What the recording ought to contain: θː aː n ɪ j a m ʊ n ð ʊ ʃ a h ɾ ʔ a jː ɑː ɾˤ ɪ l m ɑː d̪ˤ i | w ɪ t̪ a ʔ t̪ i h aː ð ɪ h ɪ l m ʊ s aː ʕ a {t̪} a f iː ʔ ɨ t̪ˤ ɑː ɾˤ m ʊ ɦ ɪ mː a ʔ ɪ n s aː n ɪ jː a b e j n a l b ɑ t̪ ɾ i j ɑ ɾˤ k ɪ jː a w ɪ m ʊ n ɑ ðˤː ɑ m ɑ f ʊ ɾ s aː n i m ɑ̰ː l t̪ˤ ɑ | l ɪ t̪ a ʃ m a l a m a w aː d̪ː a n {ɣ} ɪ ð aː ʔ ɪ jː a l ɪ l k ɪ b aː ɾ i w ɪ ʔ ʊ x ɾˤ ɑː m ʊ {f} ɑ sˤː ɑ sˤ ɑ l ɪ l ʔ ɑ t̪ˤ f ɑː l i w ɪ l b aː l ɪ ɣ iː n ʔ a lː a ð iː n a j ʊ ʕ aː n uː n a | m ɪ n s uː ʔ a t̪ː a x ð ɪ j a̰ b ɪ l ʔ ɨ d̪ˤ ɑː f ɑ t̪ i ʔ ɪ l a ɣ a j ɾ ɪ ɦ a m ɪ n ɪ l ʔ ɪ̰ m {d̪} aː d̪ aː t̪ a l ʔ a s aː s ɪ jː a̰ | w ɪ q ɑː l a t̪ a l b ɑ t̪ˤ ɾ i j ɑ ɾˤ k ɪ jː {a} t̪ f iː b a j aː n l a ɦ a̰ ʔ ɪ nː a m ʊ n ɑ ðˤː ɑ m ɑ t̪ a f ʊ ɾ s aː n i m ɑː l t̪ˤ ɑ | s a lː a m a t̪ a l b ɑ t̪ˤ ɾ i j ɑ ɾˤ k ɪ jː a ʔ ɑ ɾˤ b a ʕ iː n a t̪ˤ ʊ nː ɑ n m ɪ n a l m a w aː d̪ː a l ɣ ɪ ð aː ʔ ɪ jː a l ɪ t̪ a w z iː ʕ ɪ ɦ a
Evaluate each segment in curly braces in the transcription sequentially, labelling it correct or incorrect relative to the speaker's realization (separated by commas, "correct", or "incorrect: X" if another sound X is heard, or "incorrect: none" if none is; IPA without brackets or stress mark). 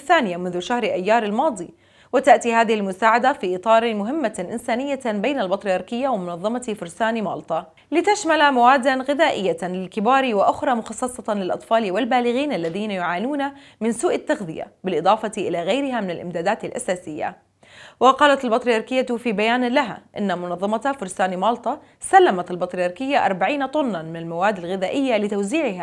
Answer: incorrect: d̪, correct, incorrect: x, correct, correct